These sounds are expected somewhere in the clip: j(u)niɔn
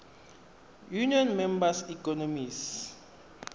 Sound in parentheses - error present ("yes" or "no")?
no